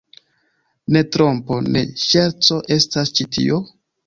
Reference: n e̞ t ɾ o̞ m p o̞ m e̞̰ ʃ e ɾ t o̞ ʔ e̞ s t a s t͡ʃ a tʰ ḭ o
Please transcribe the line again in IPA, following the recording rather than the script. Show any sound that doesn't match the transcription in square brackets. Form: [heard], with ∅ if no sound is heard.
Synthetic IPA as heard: n e̞ t ɾ o̞ m p o̞ [n] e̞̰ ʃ e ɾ [t͡s] o̞ ʔ e̞ s t a s t͡ʃ [i] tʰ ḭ o